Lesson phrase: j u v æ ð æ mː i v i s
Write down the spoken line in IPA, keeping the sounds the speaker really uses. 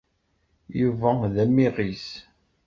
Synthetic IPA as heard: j u v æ ð æ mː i ʁ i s